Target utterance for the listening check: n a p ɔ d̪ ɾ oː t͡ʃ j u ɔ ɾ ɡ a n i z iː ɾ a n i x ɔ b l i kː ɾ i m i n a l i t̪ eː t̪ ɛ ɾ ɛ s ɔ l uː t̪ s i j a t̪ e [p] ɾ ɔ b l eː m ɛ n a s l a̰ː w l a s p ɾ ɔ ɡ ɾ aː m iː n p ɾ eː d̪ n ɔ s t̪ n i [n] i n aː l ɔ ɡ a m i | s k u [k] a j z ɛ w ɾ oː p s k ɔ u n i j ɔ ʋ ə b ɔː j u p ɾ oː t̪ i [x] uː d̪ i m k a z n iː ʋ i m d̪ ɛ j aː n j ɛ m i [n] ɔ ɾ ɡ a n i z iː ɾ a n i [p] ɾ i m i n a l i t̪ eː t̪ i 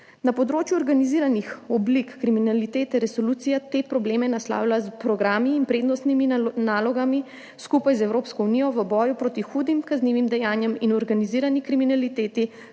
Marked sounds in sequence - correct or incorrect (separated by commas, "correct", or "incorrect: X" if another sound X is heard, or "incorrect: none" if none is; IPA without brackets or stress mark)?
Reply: correct, incorrect: m, incorrect: p, correct, correct, incorrect: k